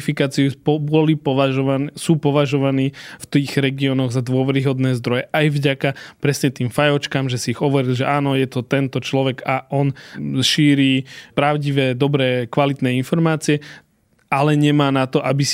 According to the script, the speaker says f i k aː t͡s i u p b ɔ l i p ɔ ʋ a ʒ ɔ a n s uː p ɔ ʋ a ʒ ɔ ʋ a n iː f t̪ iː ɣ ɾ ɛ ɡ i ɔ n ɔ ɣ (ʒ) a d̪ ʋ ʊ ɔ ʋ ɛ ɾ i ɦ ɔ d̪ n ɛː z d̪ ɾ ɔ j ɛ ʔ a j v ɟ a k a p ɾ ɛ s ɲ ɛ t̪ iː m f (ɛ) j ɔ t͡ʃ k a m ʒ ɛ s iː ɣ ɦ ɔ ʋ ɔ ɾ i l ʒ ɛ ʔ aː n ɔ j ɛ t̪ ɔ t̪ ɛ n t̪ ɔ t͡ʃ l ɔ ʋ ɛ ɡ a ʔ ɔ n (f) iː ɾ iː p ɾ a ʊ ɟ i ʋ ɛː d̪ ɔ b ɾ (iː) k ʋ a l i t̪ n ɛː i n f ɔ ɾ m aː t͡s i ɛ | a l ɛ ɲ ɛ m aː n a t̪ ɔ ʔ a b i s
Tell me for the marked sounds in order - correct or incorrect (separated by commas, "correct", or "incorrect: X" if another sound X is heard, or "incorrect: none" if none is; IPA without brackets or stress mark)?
incorrect: z, incorrect: a, incorrect: ʃ, incorrect: ɛː